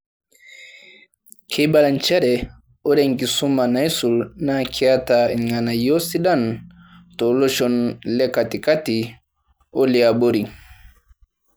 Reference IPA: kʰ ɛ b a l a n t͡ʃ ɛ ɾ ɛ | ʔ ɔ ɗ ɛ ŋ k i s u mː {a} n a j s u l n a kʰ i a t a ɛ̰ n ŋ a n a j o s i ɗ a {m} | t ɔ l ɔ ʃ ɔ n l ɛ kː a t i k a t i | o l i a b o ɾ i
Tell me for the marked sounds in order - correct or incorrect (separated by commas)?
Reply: correct, incorrect